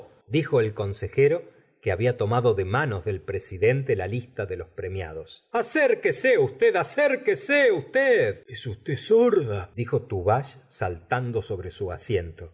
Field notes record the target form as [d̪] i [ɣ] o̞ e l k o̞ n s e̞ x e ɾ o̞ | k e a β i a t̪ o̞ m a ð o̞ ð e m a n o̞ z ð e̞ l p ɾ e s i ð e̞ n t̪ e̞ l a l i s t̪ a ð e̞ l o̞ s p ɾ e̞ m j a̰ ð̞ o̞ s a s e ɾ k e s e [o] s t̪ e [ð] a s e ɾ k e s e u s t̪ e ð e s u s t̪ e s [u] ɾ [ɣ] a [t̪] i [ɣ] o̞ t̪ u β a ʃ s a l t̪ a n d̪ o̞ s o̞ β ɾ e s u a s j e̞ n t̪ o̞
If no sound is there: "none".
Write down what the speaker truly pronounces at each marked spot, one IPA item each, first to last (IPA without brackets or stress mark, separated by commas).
d̪, x, u, ð, o, ð, d̪, x